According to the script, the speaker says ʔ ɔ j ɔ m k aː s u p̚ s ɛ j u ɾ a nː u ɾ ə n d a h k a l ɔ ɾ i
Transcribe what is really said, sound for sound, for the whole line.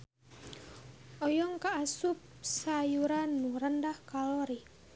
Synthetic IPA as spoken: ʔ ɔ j ɔ ŋ k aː s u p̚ s a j u ɾ a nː u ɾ ə n d a h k a l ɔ ɾ i